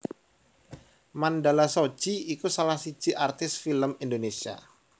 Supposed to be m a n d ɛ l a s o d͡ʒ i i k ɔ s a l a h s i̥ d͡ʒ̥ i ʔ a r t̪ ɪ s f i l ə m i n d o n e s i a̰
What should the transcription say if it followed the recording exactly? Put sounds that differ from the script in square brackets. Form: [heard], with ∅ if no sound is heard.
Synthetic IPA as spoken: m a n d [a] l a s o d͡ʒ i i k [u] s a l a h s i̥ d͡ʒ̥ i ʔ a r t̪ ɪ s f i l ə m i n d o n e s i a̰